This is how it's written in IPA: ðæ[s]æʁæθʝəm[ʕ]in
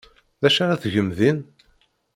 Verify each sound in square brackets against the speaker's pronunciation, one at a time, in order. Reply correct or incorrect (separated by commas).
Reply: incorrect, incorrect